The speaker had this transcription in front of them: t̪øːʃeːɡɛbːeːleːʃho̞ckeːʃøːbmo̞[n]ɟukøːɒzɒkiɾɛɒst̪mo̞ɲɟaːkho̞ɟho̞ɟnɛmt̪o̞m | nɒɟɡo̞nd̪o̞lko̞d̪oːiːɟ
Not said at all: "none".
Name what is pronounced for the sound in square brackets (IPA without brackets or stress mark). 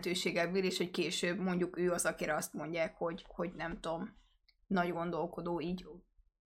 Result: ɲ